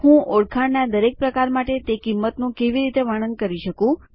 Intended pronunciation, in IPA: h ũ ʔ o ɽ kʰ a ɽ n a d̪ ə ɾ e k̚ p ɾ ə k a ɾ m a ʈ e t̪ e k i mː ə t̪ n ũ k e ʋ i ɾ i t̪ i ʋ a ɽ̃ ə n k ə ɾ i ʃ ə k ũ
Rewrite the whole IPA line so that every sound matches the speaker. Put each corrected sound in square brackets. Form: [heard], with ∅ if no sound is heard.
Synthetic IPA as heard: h ũ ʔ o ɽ kʰ a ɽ n a d̪ ə ɾ e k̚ p ɾ ə k a ɾ m a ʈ e t̪ e k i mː ə t̪ n ũ k e ʋ i ɾ i t̪ [e] ʋ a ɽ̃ ə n k ə ɾ i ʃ ə k ũ